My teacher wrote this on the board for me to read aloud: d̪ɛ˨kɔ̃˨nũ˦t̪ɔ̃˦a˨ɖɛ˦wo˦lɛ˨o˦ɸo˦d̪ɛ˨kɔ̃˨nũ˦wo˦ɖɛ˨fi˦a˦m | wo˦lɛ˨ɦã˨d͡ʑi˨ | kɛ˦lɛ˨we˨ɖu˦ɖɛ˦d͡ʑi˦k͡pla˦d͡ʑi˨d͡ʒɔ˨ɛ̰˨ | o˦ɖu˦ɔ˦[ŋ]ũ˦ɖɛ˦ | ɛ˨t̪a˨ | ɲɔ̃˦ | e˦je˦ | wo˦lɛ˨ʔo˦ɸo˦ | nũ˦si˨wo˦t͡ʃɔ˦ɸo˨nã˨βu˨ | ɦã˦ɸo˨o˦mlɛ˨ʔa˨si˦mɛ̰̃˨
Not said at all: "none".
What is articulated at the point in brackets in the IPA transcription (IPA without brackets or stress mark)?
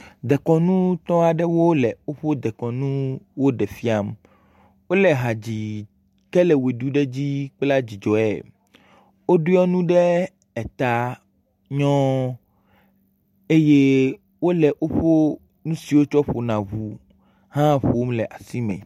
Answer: n